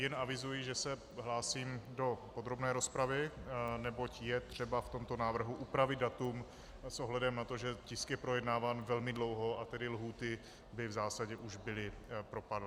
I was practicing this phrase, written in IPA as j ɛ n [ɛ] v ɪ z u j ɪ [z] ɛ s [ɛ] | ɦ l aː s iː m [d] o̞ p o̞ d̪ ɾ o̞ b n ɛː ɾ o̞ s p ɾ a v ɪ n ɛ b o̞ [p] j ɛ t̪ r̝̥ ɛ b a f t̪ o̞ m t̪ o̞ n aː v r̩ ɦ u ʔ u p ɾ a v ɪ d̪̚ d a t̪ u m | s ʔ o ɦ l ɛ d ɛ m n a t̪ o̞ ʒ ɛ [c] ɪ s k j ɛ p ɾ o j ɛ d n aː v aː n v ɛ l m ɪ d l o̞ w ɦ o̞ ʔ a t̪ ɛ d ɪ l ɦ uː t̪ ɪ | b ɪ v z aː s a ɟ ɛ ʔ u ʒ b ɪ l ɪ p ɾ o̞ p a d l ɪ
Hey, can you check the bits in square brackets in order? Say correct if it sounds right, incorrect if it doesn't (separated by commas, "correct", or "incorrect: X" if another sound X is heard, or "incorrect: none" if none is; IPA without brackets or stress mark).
incorrect: a, incorrect: ʒ, correct, correct, incorrect: c, correct